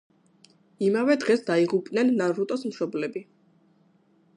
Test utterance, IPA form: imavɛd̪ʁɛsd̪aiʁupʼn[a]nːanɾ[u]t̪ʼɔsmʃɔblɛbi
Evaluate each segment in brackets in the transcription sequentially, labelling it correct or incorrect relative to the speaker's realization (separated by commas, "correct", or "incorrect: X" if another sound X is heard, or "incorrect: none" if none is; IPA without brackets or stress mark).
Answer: incorrect: ɛ, correct